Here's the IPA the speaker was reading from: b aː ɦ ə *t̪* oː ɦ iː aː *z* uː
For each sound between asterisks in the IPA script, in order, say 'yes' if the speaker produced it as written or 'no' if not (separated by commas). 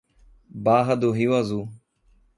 no, yes